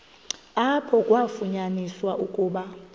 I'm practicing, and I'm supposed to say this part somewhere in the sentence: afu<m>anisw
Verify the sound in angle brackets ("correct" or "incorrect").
incorrect